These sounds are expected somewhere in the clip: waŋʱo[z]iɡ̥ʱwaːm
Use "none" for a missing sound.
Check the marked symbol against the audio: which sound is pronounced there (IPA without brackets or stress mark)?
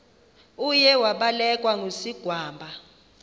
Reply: s